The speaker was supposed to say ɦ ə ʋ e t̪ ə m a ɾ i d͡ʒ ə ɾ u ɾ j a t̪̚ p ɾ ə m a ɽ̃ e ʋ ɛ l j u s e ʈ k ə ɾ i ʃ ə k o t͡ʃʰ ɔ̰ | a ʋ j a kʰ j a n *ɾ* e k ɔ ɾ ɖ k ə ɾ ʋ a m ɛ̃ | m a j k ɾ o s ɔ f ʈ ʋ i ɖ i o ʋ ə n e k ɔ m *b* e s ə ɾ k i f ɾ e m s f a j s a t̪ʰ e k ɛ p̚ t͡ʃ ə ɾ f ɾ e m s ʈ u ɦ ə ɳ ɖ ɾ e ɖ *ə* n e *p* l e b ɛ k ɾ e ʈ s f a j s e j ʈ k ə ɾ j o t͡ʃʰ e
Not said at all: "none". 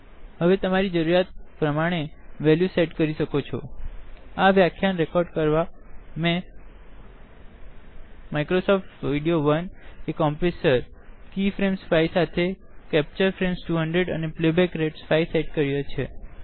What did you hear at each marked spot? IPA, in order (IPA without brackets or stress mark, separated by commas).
ɾ, p, ə, p